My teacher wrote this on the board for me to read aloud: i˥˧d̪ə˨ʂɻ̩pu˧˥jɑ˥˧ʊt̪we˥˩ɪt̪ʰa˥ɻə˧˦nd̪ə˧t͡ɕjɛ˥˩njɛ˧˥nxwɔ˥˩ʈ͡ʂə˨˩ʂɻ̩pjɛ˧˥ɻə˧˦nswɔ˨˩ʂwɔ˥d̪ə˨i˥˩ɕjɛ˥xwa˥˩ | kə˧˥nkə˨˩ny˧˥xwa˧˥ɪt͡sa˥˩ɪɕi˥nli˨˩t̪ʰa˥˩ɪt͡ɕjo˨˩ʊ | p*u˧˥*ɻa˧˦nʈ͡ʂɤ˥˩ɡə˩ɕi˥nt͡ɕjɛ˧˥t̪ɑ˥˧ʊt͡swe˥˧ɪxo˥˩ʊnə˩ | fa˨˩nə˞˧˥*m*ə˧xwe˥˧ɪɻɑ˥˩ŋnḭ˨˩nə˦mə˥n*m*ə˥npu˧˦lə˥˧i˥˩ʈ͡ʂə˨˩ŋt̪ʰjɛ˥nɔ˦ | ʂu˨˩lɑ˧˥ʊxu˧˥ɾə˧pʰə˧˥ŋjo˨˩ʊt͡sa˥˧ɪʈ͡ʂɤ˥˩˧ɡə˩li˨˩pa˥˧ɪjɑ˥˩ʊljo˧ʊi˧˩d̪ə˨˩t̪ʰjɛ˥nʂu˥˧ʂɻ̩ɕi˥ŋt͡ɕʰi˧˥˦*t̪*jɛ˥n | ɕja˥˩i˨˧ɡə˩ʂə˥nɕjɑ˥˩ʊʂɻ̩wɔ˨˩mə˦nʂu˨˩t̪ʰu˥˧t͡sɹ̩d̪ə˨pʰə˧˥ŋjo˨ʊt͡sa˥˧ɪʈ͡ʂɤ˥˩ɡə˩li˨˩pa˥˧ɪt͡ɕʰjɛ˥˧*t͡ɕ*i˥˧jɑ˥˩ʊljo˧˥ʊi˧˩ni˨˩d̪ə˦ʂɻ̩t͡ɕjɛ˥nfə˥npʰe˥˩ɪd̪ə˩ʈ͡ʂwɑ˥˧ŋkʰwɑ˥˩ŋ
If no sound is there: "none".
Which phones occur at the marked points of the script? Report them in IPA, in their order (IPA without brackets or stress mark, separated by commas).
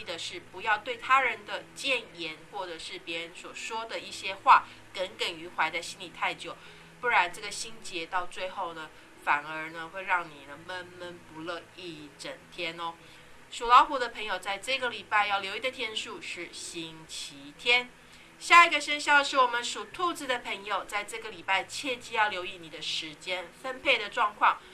u˥˩, n, m, t̪ʰ, t͡ɕ